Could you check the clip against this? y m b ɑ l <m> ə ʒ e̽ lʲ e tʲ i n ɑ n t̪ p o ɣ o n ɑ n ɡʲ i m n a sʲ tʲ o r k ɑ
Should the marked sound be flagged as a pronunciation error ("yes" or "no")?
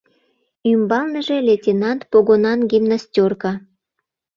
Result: yes